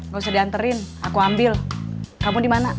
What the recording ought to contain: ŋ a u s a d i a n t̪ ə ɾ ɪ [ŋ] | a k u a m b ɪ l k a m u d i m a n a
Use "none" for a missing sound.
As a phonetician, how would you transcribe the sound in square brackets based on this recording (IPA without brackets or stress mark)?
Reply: n